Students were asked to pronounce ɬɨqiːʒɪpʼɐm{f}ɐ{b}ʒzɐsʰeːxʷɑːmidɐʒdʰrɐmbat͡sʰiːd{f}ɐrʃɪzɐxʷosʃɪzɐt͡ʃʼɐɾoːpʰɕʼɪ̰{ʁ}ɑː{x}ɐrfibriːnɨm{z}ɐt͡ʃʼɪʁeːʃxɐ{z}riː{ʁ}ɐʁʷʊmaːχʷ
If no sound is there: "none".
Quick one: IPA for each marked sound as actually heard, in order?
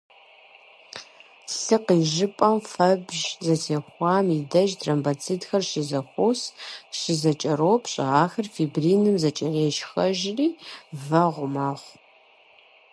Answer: f, b, x, ʁ, x, z, ʒ, v

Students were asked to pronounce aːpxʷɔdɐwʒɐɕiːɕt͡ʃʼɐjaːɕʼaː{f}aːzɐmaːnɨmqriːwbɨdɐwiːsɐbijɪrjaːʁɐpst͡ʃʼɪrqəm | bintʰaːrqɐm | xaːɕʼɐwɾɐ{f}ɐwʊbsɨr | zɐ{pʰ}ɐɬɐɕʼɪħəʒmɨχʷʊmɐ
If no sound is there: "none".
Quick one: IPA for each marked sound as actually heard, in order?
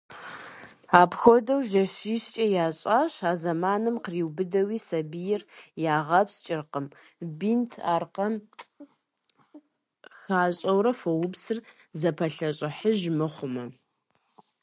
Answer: ɕ, f, pʰ

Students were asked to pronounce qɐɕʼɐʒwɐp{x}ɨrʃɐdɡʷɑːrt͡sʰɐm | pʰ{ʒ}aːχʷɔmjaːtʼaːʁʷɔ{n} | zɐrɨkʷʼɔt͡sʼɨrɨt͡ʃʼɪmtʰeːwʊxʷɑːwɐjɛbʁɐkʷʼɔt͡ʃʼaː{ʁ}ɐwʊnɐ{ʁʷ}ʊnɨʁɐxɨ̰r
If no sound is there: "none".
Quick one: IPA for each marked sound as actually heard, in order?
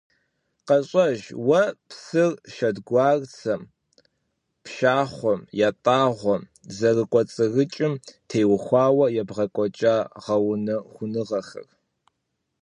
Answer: s, ʃ, m, ʁ, χʷ

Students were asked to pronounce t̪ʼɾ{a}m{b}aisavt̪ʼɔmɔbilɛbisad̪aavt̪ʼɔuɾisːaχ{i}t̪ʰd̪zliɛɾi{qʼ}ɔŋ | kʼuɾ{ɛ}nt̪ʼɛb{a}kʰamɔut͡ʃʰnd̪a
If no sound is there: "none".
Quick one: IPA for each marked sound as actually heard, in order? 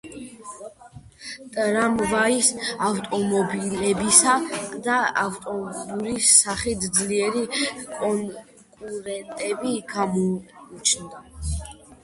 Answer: a, v, i, kʼ, ɛ, i

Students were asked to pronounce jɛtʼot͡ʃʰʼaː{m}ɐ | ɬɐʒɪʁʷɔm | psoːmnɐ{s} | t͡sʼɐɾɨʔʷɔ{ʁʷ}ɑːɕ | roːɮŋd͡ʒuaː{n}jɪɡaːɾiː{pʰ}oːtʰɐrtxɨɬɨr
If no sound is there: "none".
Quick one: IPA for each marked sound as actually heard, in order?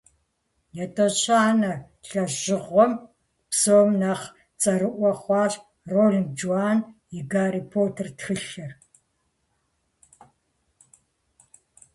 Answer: n, χ, χʷ, n, pʰ

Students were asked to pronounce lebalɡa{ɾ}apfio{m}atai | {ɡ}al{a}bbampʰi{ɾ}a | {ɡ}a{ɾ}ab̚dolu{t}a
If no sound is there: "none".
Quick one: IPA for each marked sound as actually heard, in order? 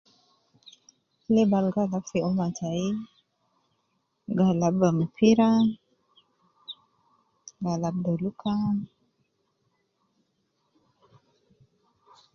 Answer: l, m, ɡ, a, ɾ, ɡ, l, k

